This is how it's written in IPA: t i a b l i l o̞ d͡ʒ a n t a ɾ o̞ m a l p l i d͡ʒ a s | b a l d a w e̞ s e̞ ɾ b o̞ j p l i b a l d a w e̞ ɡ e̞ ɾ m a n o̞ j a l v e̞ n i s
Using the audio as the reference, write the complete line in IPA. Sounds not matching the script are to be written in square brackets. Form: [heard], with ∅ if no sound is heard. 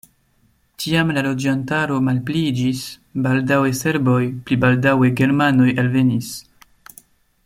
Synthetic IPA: t i a [m] l [a] l o̞ d͡ʒ a n t a ɾ o̞ m a l p l i d͡ʒ [i] s | b a l d a w e̞ s e̞ ɾ b o̞ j p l i b a l d a w e̞ ɡ e̞ ɾ m a n o̞ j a l v e̞ n i s